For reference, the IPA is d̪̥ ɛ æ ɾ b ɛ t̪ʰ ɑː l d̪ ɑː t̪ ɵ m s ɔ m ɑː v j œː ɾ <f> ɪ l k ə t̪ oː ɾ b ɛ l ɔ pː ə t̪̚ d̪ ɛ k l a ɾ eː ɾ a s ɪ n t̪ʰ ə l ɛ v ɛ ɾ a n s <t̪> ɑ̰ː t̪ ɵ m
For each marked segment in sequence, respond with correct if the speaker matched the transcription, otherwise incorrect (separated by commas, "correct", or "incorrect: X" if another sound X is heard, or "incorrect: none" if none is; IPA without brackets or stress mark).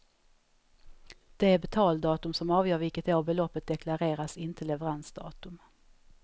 incorrect: v, incorrect: d̪